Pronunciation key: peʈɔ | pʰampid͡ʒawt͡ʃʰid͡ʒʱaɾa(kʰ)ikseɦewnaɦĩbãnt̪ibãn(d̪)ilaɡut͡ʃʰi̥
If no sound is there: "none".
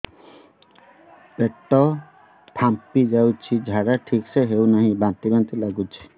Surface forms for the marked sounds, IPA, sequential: ʈʰ, t̪

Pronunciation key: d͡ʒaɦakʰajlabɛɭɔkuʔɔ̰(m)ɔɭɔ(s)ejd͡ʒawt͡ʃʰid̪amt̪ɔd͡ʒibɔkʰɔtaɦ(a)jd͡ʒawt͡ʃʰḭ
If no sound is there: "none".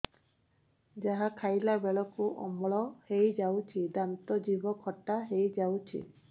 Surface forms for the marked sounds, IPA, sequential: m, h, e

